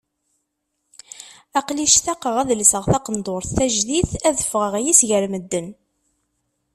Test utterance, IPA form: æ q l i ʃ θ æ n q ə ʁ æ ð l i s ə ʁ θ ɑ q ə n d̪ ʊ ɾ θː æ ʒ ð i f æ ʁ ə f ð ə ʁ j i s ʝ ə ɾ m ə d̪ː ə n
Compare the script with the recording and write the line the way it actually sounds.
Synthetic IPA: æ q l i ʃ θ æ q ə ʁ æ ð l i s ə ʁ θ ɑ q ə n d̪ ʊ ɾ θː æ ʒ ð i θ æ ð ə f ʁ ə ʁ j i s ʝ ə ɾ m ə d̪ː ə n